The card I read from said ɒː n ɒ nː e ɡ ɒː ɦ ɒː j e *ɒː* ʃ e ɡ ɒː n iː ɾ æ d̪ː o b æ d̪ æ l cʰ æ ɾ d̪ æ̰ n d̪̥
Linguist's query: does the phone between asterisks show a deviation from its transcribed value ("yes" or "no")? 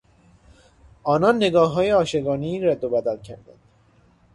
no